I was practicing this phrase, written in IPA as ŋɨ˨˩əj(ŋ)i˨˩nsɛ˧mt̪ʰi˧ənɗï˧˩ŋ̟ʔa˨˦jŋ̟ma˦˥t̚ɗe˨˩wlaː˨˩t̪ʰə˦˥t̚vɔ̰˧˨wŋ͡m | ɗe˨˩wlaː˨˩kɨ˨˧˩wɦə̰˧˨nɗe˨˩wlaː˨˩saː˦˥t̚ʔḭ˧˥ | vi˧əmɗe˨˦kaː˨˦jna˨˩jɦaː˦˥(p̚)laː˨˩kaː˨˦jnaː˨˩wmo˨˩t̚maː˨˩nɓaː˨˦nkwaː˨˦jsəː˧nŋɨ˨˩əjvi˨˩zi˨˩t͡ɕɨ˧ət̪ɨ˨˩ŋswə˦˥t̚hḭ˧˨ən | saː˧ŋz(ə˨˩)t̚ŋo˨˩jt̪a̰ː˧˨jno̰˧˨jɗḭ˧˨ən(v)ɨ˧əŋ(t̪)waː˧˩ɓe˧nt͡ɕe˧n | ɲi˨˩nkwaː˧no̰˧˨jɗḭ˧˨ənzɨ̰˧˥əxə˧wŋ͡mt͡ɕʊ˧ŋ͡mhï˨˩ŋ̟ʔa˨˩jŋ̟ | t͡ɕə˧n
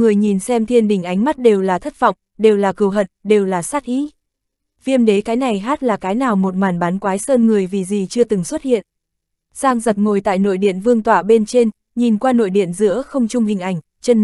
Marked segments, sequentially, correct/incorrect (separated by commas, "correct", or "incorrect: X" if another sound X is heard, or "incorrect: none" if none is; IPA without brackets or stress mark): incorrect: ɲ, incorrect: t̚, correct, correct, correct